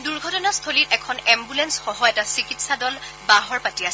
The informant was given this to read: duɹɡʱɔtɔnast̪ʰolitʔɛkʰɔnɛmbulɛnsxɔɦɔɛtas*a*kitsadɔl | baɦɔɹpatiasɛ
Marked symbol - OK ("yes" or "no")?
no